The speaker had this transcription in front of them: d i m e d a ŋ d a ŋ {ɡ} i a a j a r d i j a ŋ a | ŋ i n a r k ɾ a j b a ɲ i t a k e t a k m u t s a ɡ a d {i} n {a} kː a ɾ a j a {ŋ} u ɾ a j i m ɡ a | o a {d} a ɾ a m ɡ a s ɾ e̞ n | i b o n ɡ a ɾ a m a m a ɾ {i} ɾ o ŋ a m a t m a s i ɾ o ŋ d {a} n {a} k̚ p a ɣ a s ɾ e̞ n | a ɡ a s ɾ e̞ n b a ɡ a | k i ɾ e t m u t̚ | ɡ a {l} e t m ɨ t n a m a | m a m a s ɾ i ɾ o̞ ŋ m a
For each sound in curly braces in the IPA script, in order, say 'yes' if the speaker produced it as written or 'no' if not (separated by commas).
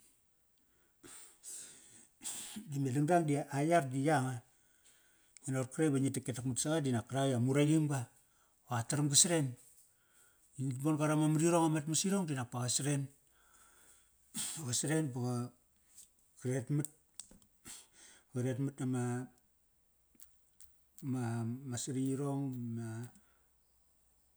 no, yes, yes, no, no, yes, no, yes, no